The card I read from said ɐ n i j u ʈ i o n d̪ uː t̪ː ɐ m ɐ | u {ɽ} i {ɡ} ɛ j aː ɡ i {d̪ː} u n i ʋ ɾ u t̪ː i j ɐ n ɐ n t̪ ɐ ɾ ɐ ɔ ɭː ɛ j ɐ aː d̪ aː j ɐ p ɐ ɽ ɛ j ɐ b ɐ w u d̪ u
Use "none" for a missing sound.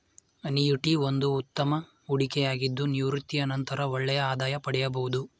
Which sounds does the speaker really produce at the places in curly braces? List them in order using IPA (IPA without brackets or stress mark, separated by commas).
ɽ, k, d̪ː